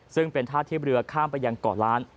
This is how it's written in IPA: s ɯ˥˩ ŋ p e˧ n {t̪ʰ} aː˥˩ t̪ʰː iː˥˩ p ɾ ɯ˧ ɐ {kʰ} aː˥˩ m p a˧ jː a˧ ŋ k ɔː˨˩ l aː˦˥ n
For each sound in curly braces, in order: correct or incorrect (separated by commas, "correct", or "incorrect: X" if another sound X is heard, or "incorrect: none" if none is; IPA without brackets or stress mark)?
correct, correct